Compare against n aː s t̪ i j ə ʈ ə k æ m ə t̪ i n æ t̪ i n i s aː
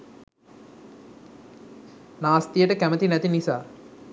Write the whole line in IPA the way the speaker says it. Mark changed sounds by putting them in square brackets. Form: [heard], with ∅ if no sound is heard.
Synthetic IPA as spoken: n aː s t̪ i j ə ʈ ə k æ m ə t̪ i n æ t̪ i n i s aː